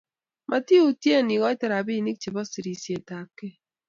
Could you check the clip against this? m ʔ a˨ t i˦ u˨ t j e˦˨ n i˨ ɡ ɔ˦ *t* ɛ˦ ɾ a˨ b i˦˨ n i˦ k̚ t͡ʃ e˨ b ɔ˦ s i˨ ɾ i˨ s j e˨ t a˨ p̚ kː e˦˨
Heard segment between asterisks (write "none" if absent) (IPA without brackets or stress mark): t